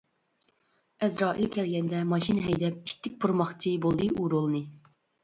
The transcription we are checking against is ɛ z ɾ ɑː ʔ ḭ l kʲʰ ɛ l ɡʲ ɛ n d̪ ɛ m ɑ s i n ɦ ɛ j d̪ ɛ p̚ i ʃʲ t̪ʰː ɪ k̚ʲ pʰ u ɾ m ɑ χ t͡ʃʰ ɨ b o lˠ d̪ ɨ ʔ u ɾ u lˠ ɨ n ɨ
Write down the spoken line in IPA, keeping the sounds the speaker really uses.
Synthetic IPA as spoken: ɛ z ɾ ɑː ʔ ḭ l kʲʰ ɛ l ɡʲ ɛ n d̪ ɛ m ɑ ʃ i n ɦ ɛ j d̪ ɛ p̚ i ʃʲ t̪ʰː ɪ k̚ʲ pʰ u ɾ m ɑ χ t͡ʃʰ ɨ b o lˠ d̪ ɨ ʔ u ɾ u lˠ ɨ n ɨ